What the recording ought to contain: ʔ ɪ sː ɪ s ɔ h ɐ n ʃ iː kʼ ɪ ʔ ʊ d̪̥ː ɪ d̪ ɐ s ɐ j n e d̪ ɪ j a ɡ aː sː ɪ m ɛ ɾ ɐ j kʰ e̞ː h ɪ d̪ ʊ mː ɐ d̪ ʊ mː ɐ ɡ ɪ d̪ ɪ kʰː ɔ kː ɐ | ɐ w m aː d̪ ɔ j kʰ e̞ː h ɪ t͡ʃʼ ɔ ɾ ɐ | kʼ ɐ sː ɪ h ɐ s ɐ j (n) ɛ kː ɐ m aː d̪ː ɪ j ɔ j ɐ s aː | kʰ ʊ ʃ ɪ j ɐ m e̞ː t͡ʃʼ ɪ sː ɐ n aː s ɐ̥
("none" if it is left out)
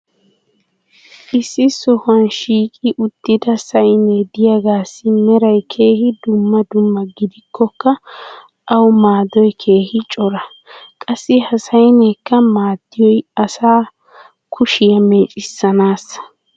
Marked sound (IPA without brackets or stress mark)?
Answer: n